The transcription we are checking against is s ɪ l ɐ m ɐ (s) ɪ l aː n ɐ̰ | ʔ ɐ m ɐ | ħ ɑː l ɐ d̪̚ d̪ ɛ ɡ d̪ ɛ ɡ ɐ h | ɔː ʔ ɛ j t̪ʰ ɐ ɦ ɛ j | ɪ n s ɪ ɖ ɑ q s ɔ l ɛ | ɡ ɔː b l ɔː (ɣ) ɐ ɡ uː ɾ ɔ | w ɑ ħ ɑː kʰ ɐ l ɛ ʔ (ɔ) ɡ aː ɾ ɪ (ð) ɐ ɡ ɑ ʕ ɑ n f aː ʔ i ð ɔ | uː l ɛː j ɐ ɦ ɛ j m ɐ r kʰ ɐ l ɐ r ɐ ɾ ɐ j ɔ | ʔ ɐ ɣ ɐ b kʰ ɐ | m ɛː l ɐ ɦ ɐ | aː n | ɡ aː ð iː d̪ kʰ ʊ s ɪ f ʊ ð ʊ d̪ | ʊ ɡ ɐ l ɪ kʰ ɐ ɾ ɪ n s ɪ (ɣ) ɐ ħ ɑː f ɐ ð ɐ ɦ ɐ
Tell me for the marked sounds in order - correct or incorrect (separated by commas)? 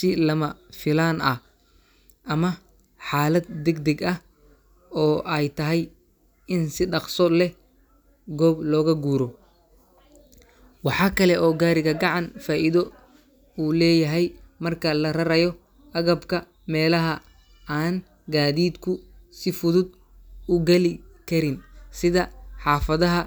incorrect, correct, incorrect, incorrect, incorrect